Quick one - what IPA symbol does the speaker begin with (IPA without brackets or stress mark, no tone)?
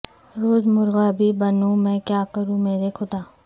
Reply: ɾ